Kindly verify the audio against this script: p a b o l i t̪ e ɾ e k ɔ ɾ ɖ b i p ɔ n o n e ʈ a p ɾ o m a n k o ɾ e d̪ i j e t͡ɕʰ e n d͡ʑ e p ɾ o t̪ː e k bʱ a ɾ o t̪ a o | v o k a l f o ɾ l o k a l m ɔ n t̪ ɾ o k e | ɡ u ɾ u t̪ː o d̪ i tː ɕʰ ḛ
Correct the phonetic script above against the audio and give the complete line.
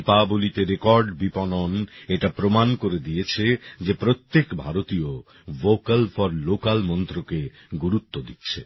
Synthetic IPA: p a b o l i t̪ e ɾ e k ɔ ɾ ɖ b i p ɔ n o n e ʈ a p ɾ o m a n k o ɾ e d̪ i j e t͡ɕʰ e d͡ʑ e p ɾ o t̪ː e k bʱ a ɾ o t̪ i o | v o k a l f ɔ ɾ l o k a l m ɔ n t̪ ɾ o k e | ɡ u ɾ u t̪ː o d̪ i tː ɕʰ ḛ